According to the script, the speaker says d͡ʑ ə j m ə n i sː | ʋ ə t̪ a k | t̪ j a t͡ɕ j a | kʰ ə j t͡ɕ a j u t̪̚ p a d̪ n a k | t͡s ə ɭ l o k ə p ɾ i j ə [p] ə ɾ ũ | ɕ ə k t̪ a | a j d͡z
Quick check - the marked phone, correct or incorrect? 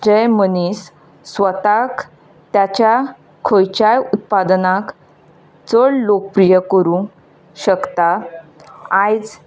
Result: incorrect